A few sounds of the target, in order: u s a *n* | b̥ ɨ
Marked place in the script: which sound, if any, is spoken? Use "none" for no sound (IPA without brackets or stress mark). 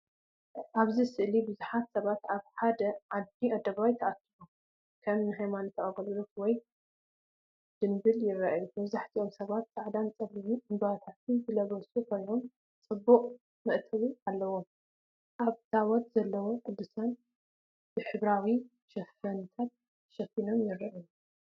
n